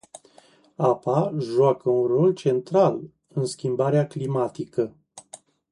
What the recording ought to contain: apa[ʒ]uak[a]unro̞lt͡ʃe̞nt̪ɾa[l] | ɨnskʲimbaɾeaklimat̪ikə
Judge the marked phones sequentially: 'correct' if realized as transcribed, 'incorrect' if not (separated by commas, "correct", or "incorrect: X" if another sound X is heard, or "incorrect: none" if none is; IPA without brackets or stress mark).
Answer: correct, incorrect: ə, correct